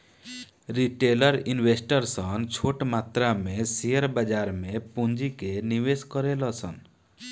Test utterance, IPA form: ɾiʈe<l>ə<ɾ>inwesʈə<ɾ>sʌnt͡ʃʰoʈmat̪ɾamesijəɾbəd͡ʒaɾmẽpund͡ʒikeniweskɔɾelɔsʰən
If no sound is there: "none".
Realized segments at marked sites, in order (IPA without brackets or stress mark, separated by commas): l, ɾ, ɾ